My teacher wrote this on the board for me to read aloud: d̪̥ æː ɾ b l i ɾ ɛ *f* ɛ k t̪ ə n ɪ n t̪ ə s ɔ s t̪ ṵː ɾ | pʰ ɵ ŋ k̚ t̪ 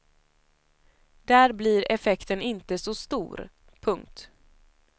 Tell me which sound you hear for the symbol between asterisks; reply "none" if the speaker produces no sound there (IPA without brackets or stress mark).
f